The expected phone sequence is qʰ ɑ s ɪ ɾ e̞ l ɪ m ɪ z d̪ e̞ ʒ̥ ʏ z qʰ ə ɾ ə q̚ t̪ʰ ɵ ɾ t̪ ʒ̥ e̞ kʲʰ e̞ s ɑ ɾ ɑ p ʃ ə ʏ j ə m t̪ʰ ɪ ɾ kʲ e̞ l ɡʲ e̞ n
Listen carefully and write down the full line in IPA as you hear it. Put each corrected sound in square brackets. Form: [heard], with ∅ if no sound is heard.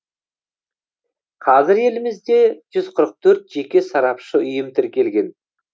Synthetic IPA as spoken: qʰ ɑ [z] ɪ ɾ e̞ l ɪ m ɪ z d̪ e̞ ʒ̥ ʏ z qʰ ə ɾ ə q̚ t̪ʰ ɵ ɾ t̪ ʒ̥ e̞ [kʲ] e̞ s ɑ ɾ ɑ p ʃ ə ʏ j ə m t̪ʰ ɪ ɾ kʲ e̞ l ɡʲ e̞ n